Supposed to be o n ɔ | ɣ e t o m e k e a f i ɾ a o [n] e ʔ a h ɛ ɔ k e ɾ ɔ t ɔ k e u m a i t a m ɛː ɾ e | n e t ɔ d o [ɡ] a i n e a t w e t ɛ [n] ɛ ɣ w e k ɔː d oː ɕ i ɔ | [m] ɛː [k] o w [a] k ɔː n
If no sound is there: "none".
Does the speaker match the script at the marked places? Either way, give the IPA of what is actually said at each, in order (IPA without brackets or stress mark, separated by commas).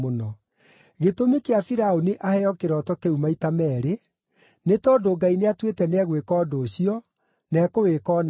n, ɡ, n, n, k, e